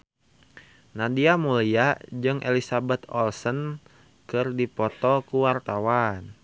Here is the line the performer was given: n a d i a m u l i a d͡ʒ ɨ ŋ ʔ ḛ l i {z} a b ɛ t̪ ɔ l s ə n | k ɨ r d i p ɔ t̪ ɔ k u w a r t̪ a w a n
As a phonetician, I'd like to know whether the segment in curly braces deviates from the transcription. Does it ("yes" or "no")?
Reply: yes